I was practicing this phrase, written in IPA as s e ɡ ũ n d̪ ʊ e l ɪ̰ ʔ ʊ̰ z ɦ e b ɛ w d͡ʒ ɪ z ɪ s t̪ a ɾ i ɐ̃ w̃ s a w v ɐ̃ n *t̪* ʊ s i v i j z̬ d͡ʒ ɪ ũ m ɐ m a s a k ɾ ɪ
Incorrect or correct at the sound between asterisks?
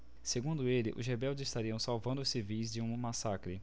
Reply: incorrect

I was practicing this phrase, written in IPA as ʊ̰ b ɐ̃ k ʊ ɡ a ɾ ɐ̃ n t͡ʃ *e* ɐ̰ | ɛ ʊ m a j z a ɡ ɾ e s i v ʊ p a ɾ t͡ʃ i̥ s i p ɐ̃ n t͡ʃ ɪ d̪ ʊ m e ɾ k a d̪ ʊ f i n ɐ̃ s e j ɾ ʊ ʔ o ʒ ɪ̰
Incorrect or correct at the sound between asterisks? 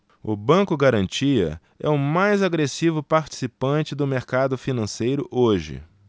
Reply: incorrect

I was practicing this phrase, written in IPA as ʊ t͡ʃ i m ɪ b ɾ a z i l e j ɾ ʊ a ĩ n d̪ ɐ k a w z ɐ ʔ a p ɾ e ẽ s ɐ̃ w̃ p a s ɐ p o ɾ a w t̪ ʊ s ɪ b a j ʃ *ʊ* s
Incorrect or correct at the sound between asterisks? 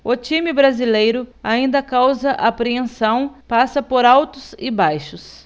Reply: correct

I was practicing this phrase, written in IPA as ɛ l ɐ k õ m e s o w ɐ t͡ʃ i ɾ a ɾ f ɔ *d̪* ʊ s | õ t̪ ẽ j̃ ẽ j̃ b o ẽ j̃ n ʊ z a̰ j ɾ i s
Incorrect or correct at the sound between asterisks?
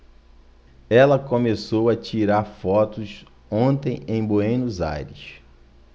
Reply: incorrect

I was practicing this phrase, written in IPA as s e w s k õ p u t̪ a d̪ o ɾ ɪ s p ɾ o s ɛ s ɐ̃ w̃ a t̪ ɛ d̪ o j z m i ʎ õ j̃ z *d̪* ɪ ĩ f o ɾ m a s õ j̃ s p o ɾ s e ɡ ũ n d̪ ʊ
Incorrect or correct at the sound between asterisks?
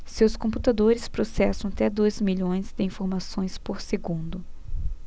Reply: correct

